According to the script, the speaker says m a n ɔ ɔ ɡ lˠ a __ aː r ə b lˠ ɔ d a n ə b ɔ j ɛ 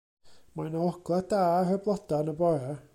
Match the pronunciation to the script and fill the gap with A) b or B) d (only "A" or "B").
B